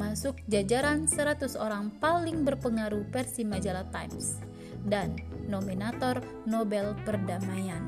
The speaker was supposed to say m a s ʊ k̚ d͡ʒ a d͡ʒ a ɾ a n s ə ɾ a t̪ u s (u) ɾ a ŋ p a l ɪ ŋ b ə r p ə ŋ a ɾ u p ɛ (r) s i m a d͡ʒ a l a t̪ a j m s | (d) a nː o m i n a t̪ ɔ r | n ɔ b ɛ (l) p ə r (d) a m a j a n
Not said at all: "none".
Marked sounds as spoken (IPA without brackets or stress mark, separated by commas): o, r, d, l, d